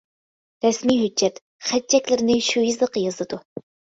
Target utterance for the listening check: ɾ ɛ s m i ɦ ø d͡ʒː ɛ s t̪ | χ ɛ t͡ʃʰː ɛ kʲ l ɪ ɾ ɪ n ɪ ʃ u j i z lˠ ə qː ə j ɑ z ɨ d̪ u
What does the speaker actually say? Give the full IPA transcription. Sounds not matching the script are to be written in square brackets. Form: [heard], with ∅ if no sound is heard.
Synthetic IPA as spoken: ɾ ɛ s m i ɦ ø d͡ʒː ɛ [∅] t̪ | χ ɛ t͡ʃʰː ɛ kʲ l ɪ ɾ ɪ n ɪ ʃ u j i z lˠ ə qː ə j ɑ z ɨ d̪ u